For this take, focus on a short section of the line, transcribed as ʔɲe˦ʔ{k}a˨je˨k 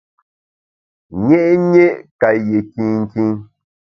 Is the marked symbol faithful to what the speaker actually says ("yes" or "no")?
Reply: yes